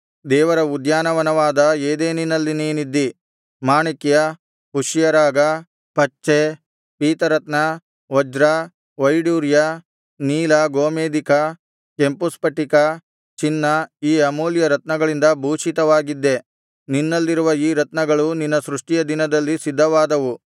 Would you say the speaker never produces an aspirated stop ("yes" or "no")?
yes